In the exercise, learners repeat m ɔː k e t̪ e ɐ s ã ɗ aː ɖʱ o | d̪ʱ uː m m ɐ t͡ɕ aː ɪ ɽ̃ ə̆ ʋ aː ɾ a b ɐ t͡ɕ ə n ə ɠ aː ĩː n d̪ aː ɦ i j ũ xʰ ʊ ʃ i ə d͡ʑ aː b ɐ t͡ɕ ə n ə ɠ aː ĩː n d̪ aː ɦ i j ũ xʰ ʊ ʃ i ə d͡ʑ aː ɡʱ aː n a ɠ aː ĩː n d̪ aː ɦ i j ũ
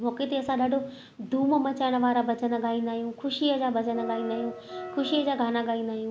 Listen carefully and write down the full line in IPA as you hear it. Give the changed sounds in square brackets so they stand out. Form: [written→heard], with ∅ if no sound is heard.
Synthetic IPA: m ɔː k e t̪ e ɐ s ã ɗ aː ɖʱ o | d̪ʱ uː m m ɐ t͡ɕ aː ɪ ɽ̃ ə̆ ʋ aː ɾ a b ɐ t͡ɕ ə n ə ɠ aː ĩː n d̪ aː ɦ i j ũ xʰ ʊ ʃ i ə d͡ʑ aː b ɐ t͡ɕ ə n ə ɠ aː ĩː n d̪ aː ɦ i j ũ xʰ ʊ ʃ i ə d͡ʑ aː ɡʱ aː n a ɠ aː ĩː n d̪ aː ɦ i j ũ